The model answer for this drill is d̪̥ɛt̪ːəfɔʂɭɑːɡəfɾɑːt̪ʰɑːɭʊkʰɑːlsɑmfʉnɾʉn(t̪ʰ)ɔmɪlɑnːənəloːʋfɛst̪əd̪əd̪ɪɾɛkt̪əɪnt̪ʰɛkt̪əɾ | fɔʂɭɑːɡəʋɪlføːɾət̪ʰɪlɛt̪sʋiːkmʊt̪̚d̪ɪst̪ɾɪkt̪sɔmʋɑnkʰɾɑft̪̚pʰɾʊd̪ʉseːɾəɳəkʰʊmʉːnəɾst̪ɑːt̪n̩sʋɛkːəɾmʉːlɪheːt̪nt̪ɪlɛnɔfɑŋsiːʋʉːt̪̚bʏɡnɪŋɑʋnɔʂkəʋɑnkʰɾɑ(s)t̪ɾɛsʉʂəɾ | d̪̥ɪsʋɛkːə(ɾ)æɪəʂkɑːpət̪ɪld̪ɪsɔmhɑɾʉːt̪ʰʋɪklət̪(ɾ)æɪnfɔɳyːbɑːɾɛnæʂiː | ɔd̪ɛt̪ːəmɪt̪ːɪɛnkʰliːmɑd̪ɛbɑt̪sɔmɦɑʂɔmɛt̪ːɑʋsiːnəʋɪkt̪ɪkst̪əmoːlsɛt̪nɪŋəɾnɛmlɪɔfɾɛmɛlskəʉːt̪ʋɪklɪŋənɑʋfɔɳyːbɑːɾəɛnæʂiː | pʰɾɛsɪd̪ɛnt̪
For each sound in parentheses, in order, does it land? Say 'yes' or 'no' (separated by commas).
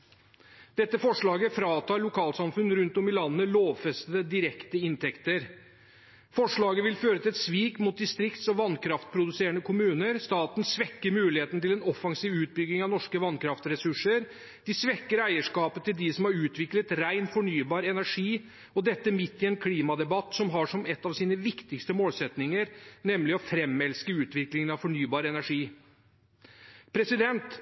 no, no, yes, yes